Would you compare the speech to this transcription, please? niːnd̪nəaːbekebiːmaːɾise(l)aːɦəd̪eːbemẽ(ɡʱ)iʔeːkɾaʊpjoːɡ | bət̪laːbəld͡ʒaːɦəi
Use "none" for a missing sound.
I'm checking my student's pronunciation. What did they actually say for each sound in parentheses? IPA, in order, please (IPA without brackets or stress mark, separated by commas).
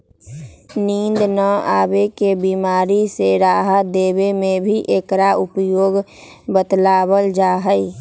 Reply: ɾ, bʱ